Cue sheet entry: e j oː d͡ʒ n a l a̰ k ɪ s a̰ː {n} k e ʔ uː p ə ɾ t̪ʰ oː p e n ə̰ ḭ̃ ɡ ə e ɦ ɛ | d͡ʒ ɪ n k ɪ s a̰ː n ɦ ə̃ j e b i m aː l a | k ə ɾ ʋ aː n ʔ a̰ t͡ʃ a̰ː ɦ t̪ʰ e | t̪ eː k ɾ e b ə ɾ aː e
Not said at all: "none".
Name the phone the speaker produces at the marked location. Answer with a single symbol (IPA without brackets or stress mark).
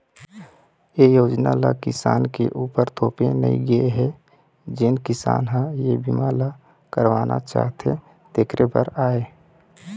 n